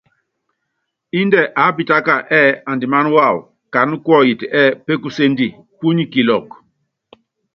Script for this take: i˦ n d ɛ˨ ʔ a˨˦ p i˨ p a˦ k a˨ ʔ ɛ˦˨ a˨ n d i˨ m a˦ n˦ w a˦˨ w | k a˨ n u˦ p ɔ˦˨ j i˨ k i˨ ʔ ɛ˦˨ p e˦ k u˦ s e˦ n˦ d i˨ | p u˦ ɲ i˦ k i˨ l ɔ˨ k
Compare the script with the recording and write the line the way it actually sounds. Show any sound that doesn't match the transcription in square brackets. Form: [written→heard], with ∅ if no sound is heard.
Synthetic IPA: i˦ n d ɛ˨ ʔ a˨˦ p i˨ [p→t] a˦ k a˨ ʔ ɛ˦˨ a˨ n d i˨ m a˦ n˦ w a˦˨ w | k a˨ n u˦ [p→k] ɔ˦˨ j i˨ [k→t] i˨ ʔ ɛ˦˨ p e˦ k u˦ s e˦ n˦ d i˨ | p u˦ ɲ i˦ k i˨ l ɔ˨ k